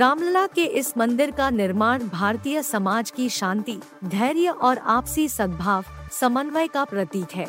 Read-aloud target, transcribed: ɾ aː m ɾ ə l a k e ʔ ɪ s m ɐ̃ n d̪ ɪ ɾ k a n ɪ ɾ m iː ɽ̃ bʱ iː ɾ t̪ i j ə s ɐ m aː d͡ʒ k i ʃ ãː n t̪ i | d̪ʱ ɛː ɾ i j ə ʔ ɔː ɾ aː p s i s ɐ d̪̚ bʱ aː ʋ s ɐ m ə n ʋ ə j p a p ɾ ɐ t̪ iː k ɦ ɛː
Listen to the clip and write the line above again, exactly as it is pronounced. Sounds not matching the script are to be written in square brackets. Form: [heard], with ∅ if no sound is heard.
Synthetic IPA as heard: ɾ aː m [l] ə l a k e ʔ ɪ s m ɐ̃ n d̪ ɪ ɾ k a n ɪ ɾ m [aː] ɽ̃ bʱ [aː] ɾ t̪ i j ə s ɐ m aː d͡ʒ k i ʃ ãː n t̪ i | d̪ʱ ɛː ɾ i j ə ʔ ɔː ɾ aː p s i s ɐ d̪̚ bʱ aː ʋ s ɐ m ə n ʋ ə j [k] a p ɾ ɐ t̪ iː k ɦ ɛː